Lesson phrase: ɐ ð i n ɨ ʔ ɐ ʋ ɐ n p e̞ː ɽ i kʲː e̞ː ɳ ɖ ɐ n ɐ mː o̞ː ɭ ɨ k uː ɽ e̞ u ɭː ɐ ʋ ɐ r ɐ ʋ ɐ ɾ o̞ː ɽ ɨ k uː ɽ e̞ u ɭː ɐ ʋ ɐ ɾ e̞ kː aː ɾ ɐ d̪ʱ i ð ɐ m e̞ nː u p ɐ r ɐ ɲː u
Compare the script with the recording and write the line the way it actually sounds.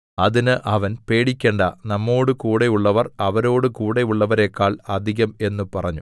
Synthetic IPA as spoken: ɐ ð i n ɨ ʔ ɐ ʋ ɐ n p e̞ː ɽ i kʲː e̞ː ɳ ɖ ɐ n ɐ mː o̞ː ɽ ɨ k uː ɽ e̞ u ɭː ɐ ʋ ɐ r ɐ ʋ ɐ ɾ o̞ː ɽ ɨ k uː ɽ e̞ u ɭː ɐ ʋ ɐ ɾ e̞ kː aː ɭ ɐ d̪ʱ i ɣ ɐ m e̞ nː u p ɐ r ɐ ɲː u